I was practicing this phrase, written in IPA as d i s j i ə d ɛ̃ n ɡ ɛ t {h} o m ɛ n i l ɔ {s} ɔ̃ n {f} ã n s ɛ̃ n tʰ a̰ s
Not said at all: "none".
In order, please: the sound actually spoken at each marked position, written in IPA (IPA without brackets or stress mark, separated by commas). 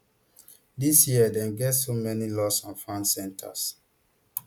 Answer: s, s, f